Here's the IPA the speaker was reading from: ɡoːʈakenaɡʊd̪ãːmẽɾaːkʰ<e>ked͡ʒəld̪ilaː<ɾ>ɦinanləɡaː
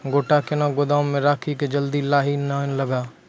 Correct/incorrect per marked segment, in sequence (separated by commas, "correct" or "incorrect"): incorrect, incorrect